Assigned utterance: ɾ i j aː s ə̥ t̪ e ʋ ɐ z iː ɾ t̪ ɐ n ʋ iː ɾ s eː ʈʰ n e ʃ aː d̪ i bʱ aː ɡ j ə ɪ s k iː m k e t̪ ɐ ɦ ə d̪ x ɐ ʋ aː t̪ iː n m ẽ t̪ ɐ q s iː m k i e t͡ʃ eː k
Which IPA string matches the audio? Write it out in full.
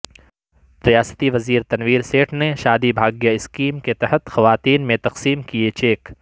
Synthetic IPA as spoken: ɾ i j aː s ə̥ t̪ i ʋ ɐ z iː ɾ t̪ ɐ n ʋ iː ɾ s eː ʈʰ n e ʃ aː d̪ i bʱ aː ɡ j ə ɪ s k iː m k e t̪ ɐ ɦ ə t̪ x ɐ ʋ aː t̪ iː n m ẽ t̪ ɐ q s iː m k i e t͡ʃ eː k